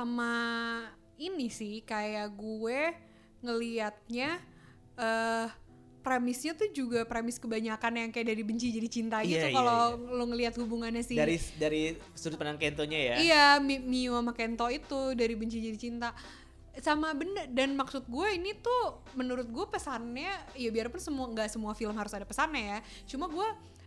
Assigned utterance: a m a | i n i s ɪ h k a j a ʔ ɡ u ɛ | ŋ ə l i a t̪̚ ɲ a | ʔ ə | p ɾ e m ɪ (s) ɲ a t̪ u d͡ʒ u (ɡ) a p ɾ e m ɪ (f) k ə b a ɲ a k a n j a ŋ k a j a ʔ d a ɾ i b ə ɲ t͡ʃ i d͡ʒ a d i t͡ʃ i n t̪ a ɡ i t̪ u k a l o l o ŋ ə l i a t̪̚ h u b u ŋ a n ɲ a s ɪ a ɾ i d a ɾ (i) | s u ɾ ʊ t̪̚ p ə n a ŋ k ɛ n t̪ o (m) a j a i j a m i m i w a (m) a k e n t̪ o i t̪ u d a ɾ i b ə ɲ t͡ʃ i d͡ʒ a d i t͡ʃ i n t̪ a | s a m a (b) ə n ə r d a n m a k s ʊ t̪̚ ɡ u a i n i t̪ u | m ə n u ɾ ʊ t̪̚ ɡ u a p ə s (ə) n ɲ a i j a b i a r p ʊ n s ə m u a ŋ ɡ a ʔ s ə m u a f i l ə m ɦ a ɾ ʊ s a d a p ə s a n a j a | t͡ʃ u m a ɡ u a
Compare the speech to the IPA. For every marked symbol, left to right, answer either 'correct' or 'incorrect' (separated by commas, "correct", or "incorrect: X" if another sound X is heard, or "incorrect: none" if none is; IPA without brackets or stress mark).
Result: correct, correct, incorrect: s, correct, incorrect: ɲ, correct, correct, incorrect: a